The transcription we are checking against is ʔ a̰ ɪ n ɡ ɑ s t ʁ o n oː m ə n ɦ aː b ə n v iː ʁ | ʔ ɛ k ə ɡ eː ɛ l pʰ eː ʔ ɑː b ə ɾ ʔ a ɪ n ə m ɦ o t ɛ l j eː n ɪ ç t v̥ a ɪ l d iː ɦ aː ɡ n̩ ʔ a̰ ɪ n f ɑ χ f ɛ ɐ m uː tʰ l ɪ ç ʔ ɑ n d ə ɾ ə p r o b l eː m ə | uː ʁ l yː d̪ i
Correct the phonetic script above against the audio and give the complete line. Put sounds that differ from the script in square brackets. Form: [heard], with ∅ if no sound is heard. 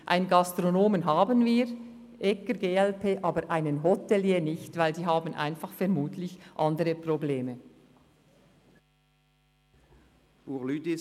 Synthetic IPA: ʔ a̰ ɪ n ɡ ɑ s t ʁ o n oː m ə n ɦ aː b ə n v iː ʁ | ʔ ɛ k ə ɡ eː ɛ l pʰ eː ʔ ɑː b ə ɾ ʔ a ɪ n ə [n] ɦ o t ɛ l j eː n ɪ ç t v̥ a ɪ l d iː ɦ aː [b] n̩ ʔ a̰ ɪ n f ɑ χ f ɛ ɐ m uː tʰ l ɪ ç ʔ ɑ n d ə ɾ ə p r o b l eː m ə | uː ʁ l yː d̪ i